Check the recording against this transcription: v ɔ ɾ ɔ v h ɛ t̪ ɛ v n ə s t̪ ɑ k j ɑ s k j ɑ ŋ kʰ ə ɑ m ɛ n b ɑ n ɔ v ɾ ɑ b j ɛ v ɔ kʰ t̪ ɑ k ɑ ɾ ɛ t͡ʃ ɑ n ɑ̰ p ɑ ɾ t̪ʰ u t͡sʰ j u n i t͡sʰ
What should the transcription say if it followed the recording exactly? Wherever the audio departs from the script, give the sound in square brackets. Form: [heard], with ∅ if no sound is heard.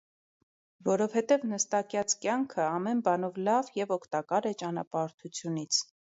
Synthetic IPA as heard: v ɔ ɾ ɔ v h ɛ t̪ ɛ v n ə s t̪ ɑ k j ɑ [t͡s] k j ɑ ŋ kʰ ə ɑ m ɛ n b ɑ n ɔ v [l] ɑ [v] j ɛ v ɔ kʰ t̪ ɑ k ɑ ɾ ɛ t͡ʃ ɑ n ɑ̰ p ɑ ɾ t̪ʰ u t͡sʰ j u n i t͡sʰ